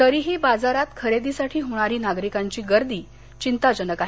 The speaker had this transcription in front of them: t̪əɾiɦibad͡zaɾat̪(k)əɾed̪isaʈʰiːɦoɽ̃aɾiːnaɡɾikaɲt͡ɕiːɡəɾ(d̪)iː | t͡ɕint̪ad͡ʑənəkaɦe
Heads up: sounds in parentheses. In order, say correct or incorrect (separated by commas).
incorrect, correct